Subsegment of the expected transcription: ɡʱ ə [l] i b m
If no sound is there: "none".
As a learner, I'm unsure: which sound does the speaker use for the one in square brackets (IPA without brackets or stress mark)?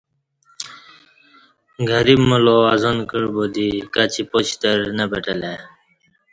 ɾ